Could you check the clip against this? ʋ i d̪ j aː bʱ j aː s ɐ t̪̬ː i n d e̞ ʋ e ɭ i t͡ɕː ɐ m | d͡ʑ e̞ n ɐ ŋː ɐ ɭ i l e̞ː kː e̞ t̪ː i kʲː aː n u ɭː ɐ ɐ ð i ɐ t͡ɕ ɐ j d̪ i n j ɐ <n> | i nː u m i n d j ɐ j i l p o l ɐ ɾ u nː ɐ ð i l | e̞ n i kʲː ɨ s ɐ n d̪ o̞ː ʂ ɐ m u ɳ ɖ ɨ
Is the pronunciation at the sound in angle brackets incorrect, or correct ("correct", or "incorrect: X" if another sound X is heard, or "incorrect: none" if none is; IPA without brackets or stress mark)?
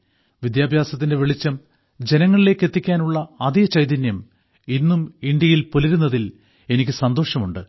incorrect: m